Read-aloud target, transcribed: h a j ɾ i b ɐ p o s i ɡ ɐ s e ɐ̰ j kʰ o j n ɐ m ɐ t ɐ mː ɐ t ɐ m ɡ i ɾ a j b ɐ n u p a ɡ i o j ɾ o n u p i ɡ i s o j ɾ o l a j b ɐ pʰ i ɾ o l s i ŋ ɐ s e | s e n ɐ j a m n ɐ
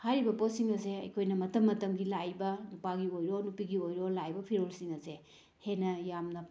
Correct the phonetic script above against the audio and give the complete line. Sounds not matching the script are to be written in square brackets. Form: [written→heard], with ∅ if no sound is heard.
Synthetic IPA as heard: h a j ɾ i b ɐ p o s i [ɡ→ŋ] ɐ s e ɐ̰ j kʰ o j n ɐ m ɐ t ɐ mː ɐ t ɐ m ɡ i [ɾ→l] a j b ɐ n u p a ɡ i o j ɾ o n u p i ɡ i [s→∅] o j ɾ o l a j b ɐ pʰ i ɾ o l s i ŋ ɐ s e | [s→h] e n ɐ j a m n ɐ